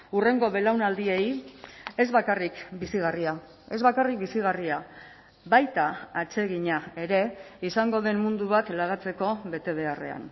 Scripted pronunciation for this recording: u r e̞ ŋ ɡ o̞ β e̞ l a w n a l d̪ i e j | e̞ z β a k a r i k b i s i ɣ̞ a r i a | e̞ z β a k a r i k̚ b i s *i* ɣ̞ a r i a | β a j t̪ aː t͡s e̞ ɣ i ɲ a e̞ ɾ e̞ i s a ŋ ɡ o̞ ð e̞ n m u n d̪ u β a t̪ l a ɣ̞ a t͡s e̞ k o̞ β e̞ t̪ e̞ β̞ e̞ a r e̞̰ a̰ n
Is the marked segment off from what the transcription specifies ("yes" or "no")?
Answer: no